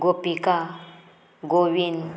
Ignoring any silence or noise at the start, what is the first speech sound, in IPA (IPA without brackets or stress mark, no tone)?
ɡ